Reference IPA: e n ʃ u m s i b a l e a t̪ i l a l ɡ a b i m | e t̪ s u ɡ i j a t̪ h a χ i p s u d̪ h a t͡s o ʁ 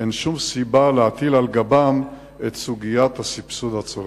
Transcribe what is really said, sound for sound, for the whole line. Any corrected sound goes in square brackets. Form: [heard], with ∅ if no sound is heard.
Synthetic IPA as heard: e n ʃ u m s i b a l e a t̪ i l a l ɡ a b [a] m | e t̪ s u ɡ i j a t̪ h a [s] i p s u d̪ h a t͡s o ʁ